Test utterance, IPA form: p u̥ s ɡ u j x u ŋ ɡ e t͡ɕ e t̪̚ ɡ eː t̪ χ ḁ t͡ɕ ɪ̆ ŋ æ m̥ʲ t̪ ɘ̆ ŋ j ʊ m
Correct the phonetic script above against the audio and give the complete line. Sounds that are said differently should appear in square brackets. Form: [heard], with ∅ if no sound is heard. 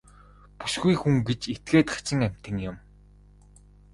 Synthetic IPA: p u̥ s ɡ u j x u ŋ ɡ e t͡ɕ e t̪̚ ɡ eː t̪ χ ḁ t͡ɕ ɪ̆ ŋ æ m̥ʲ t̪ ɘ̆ ŋ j ʊ m